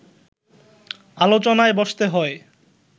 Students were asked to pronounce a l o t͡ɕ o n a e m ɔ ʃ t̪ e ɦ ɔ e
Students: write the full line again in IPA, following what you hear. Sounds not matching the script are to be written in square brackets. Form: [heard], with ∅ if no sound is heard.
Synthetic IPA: a l o t͡ɕ o n a e [b] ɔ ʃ t̪ e ɦ ɔ e